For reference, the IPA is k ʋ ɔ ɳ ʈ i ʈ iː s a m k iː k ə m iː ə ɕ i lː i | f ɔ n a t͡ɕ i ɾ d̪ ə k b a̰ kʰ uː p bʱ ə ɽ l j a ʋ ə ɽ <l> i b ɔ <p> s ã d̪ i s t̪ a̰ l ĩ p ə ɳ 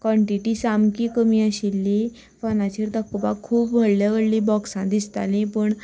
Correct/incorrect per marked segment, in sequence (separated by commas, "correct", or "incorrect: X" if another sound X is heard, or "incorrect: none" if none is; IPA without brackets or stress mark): correct, incorrect: k